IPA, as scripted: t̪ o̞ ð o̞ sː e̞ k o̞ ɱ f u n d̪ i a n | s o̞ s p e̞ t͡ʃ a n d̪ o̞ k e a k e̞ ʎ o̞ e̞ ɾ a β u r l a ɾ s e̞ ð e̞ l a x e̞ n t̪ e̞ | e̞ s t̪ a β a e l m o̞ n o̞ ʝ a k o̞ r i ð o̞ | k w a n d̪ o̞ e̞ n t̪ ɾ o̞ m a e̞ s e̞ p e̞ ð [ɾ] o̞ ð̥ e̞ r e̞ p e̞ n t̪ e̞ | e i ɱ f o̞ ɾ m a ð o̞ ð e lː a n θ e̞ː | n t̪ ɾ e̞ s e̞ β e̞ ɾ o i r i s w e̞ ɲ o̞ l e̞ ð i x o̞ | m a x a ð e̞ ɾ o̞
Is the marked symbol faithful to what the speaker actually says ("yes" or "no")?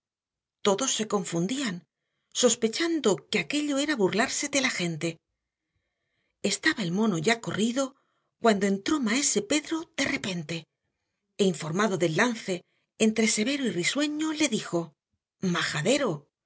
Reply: yes